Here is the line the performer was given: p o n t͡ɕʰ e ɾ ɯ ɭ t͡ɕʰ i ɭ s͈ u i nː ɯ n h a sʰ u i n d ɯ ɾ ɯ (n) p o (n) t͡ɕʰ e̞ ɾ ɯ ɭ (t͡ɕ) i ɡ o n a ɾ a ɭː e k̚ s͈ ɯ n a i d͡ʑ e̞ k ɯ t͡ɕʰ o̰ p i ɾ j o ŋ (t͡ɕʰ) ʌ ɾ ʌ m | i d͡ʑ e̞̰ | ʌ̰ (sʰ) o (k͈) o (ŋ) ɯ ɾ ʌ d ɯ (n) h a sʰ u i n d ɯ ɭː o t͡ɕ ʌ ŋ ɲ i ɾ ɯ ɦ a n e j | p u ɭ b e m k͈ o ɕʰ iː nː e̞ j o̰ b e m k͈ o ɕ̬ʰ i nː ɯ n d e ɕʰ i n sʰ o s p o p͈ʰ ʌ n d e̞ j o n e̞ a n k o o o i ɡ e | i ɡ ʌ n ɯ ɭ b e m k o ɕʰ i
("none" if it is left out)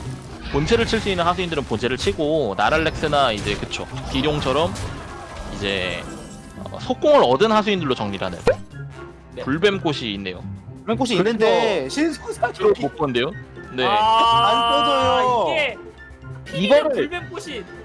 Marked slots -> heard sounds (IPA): n, n, t͡ɕʰ, t͡ɕʰ, sʰ, k͈, ŋ, n

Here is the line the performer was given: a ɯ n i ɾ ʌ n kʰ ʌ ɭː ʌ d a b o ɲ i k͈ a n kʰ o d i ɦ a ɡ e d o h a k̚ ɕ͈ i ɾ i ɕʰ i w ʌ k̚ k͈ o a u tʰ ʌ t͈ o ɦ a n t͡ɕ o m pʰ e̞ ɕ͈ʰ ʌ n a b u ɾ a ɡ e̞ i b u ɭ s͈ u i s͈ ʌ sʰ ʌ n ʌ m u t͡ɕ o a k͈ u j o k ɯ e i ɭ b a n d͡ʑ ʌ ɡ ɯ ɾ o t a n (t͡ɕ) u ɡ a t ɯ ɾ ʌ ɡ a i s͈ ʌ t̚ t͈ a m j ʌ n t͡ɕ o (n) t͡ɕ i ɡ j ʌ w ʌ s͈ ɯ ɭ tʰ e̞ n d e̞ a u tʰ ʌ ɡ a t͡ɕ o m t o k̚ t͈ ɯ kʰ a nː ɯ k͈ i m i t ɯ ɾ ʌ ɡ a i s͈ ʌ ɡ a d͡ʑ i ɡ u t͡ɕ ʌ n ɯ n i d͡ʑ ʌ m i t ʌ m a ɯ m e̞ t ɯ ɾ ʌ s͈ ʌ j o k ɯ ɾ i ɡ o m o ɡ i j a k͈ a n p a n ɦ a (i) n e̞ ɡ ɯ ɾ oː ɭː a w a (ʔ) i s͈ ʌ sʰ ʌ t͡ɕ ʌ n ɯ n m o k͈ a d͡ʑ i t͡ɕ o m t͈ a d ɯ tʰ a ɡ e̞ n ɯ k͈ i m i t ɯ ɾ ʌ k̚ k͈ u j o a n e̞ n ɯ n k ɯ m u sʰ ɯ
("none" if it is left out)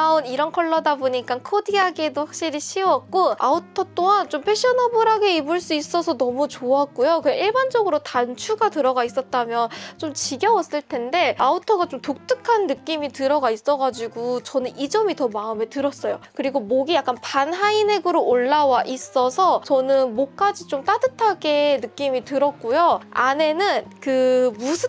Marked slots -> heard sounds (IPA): t͡ɕʰ, m, i, ʔ

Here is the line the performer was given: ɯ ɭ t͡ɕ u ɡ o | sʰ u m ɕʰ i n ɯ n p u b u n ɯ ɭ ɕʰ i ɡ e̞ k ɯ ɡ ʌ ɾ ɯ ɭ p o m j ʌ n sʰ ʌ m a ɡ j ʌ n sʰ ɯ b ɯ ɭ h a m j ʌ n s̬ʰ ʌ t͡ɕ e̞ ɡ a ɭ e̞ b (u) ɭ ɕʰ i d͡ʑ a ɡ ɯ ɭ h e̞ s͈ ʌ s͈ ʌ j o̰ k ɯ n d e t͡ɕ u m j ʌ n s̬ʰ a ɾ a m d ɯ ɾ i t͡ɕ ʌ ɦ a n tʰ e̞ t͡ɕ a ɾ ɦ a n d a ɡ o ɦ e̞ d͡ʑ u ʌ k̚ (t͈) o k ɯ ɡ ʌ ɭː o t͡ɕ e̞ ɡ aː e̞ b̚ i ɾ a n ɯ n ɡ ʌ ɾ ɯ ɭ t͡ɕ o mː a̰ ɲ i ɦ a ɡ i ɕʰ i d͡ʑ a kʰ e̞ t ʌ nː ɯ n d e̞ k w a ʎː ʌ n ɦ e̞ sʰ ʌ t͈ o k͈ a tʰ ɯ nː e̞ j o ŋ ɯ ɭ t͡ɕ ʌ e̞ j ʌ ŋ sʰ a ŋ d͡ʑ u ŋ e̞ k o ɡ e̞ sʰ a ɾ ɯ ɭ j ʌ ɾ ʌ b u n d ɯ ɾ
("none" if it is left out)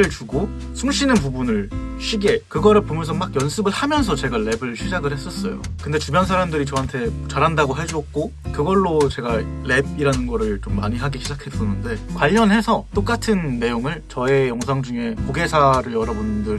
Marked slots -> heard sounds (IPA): ɯ, k͈

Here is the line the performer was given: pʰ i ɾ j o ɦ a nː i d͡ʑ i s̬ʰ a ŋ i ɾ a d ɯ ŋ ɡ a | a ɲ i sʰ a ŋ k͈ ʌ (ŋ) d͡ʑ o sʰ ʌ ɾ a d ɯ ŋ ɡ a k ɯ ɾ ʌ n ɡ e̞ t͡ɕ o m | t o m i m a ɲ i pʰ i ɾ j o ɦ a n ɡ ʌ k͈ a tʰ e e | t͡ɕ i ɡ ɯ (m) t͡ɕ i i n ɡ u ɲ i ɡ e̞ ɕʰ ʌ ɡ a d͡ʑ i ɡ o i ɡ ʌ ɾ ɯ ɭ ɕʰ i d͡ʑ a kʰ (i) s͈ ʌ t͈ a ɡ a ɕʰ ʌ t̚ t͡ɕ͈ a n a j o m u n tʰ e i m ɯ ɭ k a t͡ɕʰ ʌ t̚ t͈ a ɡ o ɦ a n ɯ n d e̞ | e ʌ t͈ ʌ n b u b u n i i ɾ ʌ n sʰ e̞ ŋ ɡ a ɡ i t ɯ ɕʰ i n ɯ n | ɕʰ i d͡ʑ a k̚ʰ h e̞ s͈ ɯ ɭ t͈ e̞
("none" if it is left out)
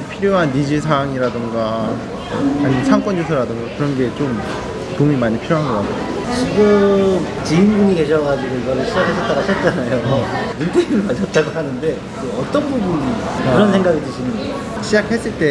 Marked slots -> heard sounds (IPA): n, m, e

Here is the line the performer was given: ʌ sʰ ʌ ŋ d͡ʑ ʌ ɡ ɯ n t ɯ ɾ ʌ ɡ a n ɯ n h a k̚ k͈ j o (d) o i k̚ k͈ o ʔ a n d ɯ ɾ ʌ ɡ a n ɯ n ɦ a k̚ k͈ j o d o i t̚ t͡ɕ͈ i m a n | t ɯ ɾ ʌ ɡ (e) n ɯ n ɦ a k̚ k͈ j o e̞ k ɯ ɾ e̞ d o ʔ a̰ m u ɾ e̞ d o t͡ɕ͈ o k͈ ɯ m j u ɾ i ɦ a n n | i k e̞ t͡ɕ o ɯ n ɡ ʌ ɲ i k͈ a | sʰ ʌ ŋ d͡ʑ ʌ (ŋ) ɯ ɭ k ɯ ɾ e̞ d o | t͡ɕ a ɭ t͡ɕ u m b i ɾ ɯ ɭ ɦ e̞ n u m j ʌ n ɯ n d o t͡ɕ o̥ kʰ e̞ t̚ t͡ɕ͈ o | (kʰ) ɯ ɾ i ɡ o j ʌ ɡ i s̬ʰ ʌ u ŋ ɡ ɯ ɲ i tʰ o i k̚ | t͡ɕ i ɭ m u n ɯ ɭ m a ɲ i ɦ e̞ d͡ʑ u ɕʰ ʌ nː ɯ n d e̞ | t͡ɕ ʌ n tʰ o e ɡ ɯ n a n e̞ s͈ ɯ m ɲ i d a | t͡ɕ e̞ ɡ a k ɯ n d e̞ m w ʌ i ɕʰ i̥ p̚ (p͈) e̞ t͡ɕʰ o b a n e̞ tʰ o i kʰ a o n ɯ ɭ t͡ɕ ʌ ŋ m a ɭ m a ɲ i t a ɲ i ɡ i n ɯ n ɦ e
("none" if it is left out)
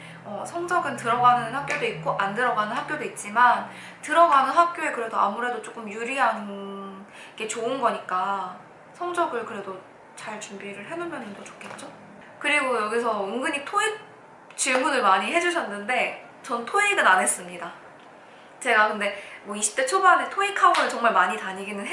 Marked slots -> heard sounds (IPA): d, a, ɡ, k, t͈

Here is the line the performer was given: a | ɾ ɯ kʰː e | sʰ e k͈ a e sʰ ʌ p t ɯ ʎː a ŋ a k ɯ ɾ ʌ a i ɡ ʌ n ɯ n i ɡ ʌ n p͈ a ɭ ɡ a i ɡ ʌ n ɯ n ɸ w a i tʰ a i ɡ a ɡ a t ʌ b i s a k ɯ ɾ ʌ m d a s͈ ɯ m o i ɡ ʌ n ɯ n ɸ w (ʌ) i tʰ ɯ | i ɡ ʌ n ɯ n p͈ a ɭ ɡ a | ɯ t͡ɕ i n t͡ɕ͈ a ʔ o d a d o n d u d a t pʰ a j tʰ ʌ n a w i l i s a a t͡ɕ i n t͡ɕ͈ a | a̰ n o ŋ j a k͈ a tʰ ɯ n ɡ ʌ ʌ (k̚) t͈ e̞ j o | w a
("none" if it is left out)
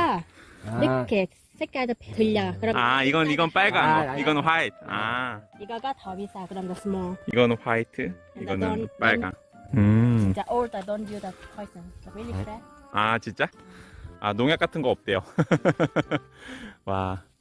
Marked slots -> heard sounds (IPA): a, p̚

